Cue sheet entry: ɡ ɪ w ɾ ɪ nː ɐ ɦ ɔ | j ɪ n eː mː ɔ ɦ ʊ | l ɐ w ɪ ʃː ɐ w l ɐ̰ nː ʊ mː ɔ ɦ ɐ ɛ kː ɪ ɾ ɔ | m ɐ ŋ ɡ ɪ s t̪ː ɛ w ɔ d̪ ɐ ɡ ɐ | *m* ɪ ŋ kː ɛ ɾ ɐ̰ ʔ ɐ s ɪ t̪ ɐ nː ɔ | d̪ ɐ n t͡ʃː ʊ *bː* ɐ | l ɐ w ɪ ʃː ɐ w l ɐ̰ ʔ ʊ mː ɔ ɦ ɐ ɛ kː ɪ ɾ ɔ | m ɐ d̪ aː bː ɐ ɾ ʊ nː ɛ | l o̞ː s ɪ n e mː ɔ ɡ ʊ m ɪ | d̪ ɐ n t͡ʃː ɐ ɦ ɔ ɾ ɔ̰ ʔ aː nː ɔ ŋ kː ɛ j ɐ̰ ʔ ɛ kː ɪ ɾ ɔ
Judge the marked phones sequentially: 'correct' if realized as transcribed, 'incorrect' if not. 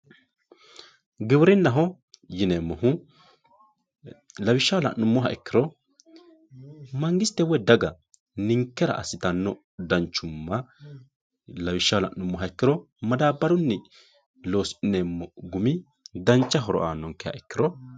incorrect, incorrect

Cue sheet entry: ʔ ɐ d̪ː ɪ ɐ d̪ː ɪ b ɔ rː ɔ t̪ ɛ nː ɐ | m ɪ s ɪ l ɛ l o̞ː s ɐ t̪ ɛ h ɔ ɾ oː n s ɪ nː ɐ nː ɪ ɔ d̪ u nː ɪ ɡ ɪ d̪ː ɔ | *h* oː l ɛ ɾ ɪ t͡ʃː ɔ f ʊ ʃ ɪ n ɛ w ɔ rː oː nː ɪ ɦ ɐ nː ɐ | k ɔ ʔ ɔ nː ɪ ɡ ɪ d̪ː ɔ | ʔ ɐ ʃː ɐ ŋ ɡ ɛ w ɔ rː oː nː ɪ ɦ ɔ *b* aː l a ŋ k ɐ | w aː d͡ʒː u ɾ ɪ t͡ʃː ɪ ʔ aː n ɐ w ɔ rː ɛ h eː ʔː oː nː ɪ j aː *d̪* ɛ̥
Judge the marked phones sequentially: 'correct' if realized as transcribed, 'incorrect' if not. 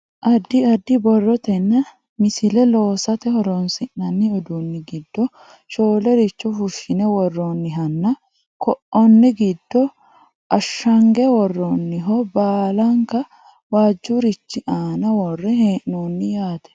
incorrect, correct, incorrect

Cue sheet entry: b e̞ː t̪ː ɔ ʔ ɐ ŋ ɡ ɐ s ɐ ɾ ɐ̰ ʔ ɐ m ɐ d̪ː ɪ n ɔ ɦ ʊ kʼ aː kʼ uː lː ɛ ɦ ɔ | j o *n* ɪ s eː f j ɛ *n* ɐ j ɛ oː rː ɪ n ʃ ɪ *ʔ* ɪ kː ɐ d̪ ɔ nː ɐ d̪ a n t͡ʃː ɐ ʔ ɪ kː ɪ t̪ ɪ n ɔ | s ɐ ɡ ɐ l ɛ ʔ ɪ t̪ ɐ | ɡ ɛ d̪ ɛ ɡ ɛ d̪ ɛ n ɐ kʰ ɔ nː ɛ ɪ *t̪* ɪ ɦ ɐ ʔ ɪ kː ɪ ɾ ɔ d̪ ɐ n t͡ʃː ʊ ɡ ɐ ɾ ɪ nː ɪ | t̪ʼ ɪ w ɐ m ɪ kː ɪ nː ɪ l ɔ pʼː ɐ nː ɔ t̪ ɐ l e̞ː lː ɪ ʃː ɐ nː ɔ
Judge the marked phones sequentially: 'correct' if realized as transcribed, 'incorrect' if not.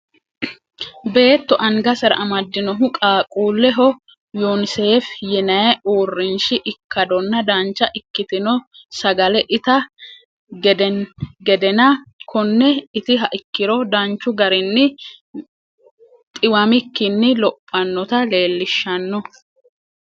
correct, correct, correct, correct

